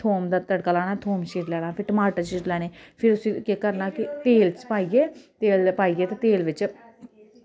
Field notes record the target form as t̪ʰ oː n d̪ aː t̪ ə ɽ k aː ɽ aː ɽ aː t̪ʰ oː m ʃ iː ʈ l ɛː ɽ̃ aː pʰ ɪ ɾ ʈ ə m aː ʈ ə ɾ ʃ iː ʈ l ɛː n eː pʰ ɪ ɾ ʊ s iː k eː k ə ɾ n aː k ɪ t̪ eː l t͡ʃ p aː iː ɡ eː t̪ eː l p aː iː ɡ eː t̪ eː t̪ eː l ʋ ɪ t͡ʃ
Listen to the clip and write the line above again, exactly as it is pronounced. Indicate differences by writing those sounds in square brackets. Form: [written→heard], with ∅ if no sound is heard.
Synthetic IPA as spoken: t̪ʰ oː [n→m] d̪ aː t̪ ə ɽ k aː [ɽ→l] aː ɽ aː t̪ʰ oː m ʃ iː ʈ l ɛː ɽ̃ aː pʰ ɪ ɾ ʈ ə m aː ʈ ə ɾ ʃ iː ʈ l ɛː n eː pʰ ɪ ɾ ʊ s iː k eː k ə ɾ n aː k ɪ t̪ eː l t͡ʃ p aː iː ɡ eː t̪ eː l p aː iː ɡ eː t̪ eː t̪ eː l ʋ ɪ t͡ʃ